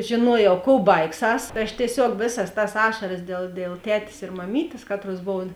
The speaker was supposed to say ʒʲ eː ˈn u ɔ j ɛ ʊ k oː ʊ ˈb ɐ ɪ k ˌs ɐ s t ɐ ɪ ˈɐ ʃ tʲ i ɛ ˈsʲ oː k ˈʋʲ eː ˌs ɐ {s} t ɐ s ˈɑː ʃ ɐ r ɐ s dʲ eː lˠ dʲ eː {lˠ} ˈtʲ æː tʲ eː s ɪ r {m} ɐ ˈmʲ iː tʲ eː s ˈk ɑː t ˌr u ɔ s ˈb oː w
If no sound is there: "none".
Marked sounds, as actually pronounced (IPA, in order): s, lˠ, m

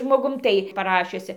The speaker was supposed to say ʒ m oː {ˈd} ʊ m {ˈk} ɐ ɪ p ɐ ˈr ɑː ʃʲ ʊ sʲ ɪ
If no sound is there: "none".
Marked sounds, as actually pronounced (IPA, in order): ɡ, t

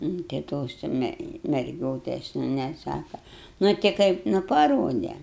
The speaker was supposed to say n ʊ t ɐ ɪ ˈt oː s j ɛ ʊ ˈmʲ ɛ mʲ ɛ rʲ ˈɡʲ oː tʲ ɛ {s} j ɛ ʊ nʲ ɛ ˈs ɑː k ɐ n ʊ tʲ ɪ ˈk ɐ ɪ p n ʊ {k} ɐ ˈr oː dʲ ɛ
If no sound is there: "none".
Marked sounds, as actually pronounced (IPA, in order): s, p

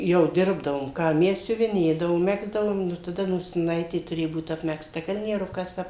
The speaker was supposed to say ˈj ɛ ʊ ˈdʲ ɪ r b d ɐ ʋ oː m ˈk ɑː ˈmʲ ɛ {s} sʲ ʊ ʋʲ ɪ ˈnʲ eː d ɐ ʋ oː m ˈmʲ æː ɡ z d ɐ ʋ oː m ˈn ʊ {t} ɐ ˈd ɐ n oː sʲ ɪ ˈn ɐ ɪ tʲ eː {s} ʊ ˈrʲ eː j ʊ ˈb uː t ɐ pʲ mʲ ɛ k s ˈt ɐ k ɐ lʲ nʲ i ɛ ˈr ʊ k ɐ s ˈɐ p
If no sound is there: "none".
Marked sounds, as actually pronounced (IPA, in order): s, t, t

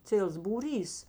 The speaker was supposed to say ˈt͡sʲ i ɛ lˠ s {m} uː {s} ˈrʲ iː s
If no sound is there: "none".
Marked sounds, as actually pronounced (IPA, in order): b, none

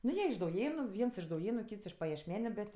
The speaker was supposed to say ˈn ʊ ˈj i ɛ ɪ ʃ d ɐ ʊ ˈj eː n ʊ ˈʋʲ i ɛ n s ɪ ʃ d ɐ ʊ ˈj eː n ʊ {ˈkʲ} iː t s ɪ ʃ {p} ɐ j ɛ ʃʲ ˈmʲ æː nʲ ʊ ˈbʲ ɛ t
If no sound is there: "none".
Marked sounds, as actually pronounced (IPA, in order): kʲ, p

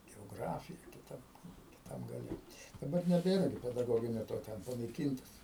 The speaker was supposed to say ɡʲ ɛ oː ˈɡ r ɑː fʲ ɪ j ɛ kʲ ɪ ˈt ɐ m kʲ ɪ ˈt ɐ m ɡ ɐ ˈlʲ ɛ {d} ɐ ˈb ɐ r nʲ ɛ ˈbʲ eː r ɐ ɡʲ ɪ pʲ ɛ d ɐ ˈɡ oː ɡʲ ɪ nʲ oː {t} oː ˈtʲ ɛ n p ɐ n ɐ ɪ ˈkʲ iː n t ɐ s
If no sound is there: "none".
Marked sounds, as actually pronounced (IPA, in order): d, t

